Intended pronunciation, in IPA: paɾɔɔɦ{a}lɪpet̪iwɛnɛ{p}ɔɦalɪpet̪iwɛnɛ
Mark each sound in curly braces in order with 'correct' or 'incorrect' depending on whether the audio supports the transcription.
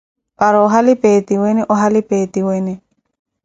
correct, incorrect: ʔ

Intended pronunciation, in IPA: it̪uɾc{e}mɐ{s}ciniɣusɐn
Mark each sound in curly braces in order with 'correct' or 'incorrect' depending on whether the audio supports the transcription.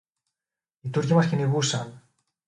incorrect: i, correct

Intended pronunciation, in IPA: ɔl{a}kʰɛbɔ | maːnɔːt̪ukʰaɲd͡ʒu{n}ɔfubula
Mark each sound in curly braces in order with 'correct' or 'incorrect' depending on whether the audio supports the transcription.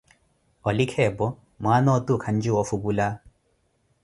incorrect: i, incorrect: none

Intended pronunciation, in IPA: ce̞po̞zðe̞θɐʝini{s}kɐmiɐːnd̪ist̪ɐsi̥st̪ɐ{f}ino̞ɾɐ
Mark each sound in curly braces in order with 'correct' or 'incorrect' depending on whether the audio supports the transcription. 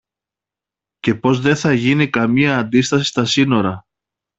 incorrect: none, incorrect: s

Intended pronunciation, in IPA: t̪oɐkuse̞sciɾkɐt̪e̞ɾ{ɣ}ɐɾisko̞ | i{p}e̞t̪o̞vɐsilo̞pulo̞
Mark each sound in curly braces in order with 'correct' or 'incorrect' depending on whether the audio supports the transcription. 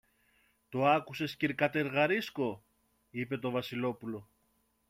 correct, correct

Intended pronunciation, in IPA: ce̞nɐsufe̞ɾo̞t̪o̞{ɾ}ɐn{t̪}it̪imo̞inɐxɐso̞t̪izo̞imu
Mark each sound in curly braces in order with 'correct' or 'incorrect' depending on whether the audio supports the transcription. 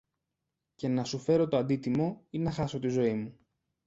incorrect: none, incorrect: d̪

